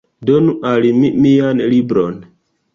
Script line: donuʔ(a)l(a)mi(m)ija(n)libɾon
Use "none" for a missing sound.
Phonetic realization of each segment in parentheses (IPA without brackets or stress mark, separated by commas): a, i, m, n